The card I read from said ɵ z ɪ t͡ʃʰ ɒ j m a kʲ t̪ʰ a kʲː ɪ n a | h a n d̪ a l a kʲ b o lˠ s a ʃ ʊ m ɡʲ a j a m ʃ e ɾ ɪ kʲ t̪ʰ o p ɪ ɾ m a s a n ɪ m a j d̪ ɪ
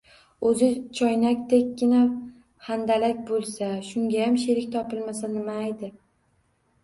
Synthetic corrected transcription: ɵ z ɪ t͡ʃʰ ɒ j n a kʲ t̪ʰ e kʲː ɪ n a | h a n d̪ a l a kʲ b o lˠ s a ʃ ʊ ŋ ɡʲ a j a m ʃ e ɾ ɪ kʲ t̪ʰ ɒ p ɪ l m a s a n ɪ m a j d̪ ɪ

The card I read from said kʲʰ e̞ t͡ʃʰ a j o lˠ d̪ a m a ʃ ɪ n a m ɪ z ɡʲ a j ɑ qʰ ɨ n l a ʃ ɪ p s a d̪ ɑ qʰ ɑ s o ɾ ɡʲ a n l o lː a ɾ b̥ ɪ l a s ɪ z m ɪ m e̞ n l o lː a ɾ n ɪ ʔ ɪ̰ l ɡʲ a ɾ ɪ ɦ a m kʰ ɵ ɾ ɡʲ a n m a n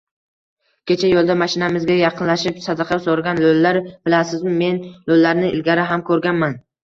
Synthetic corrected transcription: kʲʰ e̞ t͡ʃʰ a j o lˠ d̪ a m a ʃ ɪ n a m ɪ z ɡʲ a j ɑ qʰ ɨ n l a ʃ ɪ p s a d̪ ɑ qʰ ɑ s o ɾ ɡʲ a n l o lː a ɾ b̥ ɪ l a s ɪ z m ɪ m e̞ n l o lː a ɾ n ɪ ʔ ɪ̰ l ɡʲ a ɾ ɪ ɦ a m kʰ ɵ ɾ ɡʲ a n m a n

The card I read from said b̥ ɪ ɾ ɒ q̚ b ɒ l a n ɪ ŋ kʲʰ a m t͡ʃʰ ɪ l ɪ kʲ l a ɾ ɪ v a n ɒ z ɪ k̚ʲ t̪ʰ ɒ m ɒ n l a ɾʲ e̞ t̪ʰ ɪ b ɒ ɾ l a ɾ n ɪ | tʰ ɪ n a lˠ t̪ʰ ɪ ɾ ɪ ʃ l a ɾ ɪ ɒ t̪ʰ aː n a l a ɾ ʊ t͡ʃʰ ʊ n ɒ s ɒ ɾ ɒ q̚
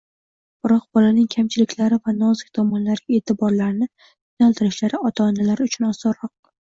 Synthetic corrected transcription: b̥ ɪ ɾ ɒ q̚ b ɒ l a n ɪ ŋ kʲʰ a m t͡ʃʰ ɪ l ɪ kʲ l a ɾ ɪ v a n ɒ z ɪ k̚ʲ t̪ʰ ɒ m ɒ n l a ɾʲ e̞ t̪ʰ ɪ b ɒ ɾ l a ɾ n ɪ | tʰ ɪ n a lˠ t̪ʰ ɪ ɾ ɪ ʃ l a ɾ ɪ ɒ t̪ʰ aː n a l a ɾ ʊ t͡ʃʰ ʊ n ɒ s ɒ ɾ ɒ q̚

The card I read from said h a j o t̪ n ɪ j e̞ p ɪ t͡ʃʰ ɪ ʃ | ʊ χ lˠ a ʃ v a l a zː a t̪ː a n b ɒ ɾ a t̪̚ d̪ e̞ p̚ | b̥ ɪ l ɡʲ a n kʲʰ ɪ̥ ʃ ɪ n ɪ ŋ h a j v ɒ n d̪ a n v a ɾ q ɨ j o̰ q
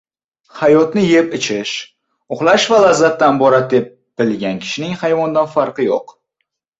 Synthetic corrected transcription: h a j ɒ t̪ n ɪ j e̞ p ɪ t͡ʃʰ ɪ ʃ | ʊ χ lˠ a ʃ v a l a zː a t̪ː a n b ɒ ɾ a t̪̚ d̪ e̞ p̚ | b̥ ɪ l ɡʲ a n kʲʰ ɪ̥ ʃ ɪ n ɪ ŋ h a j v ɒ n d̪ a n f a ɾ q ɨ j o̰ q

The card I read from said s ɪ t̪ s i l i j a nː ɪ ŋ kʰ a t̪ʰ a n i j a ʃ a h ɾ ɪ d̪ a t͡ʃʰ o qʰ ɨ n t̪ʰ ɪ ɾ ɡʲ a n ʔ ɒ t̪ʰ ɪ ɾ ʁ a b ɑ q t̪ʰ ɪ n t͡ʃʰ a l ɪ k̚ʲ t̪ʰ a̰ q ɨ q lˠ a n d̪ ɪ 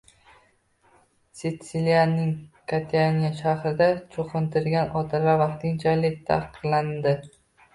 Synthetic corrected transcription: s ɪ t̪ s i l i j a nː ɪ ŋ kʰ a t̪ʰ a n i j a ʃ a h ɾ ɪ d̪ a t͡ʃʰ o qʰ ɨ n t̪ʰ ɪ ɾ ɡʲ a n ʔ ɒ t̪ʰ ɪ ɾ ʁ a v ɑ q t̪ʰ ɪ ŋ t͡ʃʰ a l ɪ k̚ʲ t̪ʰ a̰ q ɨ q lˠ a n d̪ ɪ

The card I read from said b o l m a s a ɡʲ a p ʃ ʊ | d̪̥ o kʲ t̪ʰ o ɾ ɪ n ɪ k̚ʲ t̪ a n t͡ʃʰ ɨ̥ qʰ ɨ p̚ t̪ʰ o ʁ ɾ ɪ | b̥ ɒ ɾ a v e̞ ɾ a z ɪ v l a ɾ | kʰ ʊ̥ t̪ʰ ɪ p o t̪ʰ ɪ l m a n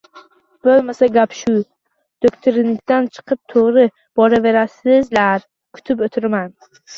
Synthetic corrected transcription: b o l m a s a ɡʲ a p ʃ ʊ | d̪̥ o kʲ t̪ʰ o ɾ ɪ n ɪ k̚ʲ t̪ a n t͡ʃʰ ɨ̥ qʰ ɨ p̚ t̪ʰ o ʁ ɾ ɪ | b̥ ɒ ɾ a v e̞ ɾ a s ɪ z l a ɾ | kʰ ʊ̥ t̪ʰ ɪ p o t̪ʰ ɪ ɾ m a n

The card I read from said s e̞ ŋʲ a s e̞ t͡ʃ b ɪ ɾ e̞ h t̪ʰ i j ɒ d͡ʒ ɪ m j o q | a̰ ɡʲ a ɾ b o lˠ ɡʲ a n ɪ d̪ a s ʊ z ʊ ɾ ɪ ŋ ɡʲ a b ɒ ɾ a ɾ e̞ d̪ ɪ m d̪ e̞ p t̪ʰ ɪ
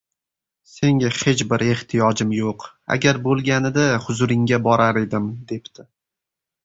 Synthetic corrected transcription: s e̞ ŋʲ a h e̞ t͡ʃ b ɪ ɾ e̞ h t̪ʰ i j ɒ d͡ʒ ɪ m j o q | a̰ ɡʲ a ɾ b o lˠ ɡʲ a n ɪ d̪ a h ʊ z ʊ ɾ ɪ ŋ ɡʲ a b ɒ ɾ a ɾ e̞ d̪ ɪ m d̪ e̞ p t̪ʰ ɪ

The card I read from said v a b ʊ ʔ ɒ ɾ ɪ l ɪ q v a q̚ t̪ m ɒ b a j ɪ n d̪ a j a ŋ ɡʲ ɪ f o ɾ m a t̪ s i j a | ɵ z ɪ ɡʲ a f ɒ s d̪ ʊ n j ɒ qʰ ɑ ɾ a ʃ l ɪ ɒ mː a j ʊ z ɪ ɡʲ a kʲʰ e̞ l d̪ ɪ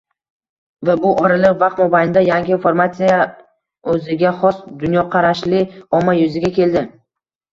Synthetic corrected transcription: v a b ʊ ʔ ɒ ɾ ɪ l ɪ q v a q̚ t̪ m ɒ b a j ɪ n d̪ a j a ŋ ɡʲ ɪ f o ɾ m a t̪ s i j a | ɵ z ɪ ɡʲ a χ ɒ s d̪ ʊ n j ɒ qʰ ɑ ɾ a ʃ l ɪ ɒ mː a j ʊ z ɪ ɡʲ a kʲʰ e̞ l d̪ ɪ

